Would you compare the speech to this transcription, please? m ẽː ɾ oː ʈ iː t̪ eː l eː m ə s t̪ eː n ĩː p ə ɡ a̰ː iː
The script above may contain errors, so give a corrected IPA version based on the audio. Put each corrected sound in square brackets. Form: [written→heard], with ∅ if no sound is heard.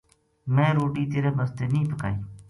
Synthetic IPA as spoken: m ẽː ɾ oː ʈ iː t̪ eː [l→ɾ] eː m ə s t̪ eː n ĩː p ə [ɡ→k] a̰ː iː